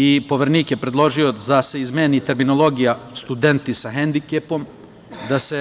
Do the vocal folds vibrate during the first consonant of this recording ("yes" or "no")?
no